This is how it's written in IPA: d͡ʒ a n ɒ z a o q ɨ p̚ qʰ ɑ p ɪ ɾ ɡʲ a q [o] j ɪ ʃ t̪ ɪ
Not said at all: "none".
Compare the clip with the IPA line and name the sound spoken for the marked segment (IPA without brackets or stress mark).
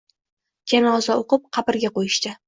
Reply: o